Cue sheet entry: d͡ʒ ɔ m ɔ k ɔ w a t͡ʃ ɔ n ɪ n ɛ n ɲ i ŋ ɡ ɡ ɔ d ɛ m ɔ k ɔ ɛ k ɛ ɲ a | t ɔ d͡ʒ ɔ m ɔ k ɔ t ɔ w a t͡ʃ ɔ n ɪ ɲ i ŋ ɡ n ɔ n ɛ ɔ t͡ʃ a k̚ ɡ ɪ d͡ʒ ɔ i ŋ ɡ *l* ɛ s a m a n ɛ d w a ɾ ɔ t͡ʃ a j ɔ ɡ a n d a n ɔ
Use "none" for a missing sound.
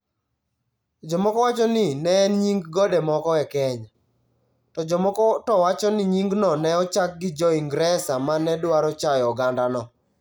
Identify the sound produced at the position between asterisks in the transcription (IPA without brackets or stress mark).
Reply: ɾ